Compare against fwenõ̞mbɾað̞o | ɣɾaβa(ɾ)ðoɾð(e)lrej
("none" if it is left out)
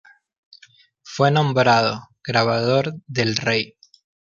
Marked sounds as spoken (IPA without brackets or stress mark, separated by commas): none, e